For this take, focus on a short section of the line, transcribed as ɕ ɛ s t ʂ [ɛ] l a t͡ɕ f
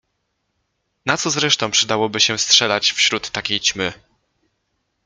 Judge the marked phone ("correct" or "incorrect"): correct